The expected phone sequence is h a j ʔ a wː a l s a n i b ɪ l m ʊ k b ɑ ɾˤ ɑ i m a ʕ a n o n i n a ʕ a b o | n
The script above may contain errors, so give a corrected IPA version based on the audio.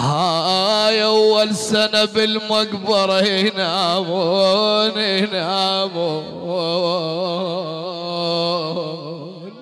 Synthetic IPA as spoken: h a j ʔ a wː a l s a n a b ɪ l m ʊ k b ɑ ɾˤ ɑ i n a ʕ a m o n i n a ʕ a m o | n